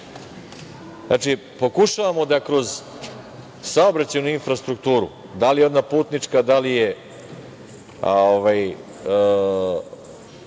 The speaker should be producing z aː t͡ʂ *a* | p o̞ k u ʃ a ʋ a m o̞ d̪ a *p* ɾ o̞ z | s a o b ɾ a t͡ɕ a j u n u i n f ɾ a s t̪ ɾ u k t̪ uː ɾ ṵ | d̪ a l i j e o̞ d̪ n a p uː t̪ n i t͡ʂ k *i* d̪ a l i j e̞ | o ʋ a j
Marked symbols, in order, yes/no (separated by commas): no, no, no